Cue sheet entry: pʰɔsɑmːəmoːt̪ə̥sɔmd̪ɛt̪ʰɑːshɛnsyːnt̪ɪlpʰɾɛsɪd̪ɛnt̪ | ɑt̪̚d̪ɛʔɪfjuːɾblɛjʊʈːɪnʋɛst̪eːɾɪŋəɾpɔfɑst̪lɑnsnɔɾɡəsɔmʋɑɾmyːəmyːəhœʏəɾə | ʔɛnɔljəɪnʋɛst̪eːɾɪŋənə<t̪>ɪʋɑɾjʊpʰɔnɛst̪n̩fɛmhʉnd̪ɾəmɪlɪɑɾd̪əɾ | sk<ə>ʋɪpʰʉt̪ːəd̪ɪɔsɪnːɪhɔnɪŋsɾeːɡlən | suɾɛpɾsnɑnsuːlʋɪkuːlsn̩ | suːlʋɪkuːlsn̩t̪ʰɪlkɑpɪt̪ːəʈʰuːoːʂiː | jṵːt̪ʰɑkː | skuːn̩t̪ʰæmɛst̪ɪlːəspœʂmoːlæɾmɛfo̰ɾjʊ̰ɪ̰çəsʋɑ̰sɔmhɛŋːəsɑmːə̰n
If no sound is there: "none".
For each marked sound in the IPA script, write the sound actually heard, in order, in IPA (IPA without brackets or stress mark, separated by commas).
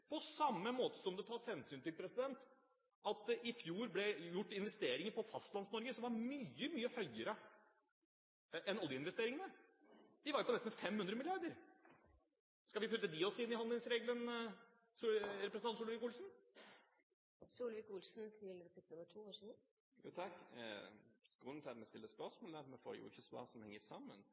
d̪, ɑ